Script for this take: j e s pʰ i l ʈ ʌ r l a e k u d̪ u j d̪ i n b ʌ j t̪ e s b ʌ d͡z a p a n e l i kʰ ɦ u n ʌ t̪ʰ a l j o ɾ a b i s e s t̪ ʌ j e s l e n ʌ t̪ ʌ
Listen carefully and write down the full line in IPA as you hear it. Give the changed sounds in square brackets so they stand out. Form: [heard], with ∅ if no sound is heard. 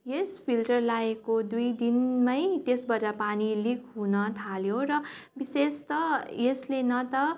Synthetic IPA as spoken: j e s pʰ i l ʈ ʌ r l a e k [o] d̪ u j d̪ i n [m] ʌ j t̪ e s b ʌ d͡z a p a n [i] l i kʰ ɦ u n ʌ t̪ʰ a l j o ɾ [ʌ] b i s e s t̪ ʌ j e s l e n ʌ t̪ ʌ